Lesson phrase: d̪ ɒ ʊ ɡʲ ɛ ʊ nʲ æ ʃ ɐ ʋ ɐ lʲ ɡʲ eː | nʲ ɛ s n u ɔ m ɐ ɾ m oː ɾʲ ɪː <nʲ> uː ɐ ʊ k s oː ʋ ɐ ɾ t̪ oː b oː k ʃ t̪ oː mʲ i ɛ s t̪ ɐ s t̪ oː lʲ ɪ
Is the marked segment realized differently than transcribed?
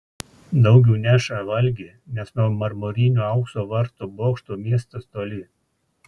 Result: no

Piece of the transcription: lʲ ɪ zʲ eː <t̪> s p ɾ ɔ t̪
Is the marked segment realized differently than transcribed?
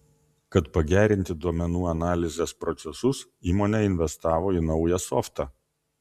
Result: yes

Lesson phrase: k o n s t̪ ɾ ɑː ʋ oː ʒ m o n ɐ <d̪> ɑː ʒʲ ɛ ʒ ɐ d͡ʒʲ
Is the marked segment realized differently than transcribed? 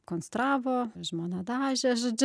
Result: no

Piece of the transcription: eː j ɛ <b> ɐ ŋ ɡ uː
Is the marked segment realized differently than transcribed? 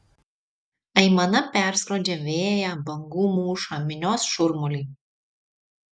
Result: no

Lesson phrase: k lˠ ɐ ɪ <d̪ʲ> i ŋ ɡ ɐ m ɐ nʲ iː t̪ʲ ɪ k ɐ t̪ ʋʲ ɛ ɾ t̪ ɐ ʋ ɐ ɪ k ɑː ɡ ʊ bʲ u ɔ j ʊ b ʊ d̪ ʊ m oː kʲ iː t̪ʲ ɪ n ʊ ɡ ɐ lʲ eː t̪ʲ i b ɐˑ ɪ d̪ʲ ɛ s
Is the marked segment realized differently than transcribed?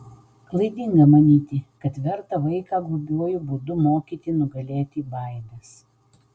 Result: no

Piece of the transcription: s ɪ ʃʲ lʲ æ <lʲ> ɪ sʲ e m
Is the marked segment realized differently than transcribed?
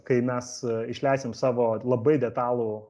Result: yes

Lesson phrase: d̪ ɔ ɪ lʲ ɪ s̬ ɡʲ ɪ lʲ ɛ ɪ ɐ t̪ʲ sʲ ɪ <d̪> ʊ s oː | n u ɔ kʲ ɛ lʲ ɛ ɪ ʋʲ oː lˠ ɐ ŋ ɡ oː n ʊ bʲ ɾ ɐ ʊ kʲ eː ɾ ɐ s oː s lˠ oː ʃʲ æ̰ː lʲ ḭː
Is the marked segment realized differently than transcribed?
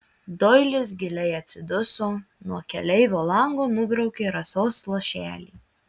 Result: no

